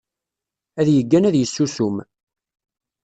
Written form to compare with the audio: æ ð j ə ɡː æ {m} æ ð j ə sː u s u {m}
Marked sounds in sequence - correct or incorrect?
incorrect: n, correct

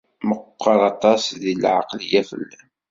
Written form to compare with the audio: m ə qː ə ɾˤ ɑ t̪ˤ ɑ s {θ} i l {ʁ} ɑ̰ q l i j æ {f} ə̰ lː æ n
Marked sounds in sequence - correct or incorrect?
incorrect: ð, incorrect: ʕ, correct

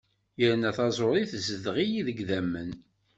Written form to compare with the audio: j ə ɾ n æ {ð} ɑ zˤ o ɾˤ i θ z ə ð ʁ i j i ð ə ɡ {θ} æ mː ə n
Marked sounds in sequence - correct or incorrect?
incorrect: θ, incorrect: ð

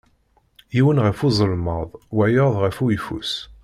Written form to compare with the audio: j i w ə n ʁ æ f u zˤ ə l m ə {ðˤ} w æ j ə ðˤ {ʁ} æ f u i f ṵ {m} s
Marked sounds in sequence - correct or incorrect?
correct, correct, incorrect: none

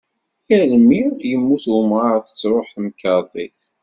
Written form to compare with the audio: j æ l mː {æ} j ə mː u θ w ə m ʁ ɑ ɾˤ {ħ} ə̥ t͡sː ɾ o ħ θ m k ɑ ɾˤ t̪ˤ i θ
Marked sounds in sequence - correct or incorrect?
incorrect: i, incorrect: θ

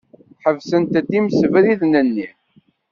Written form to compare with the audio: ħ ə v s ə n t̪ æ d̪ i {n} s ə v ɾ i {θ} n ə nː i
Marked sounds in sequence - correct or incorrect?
incorrect: m, incorrect: ð

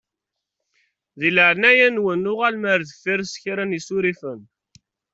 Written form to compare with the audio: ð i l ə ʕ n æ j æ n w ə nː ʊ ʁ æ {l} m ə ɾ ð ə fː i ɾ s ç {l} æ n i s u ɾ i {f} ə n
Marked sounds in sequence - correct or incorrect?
correct, incorrect: ɾ, correct

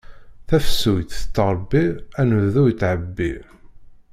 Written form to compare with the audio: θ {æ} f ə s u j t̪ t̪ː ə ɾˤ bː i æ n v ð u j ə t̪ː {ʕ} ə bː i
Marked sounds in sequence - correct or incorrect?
correct, correct

